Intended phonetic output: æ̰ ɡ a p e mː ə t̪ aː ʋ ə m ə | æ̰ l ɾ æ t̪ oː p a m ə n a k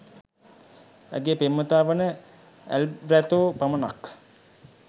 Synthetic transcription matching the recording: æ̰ ɡ e p e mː ə t̪ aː ʋ ə n ə | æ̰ l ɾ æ t̪ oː p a m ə n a k